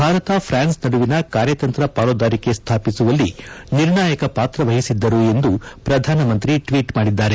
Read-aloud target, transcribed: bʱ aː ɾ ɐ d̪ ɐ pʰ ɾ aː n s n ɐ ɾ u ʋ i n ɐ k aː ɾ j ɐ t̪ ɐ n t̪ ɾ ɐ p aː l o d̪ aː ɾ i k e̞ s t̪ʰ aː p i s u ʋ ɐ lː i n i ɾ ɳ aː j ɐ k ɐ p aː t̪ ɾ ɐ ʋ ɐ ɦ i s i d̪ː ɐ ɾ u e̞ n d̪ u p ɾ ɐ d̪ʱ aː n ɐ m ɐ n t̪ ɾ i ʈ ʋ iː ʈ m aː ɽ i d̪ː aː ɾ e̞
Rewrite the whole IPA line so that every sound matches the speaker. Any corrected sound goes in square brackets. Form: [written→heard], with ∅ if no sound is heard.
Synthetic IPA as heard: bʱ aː ɾ ɐ [d̪→t̪] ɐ pʰ ɾ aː n s n ɐ [ɾ→ɽ] u ʋ i n ɐ k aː ɾ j ɐ t̪ ɐ n t̪ ɾ ɐ p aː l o d̪ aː ɾ i k e̞ s t̪ʰ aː p i s u ʋ ɐ lː i n i ɾ ɳ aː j ɐ k ɐ p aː t̪ ɾ ɐ ʋ ɐ ɦ i s i d̪ː ɐ ɾ u e̞ n d̪ u p ɾ ɐ d̪ʱ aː n ɐ m ɐ n t̪ ɾ i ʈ ʋ iː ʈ m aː ɽ i d̪ː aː ɾ e̞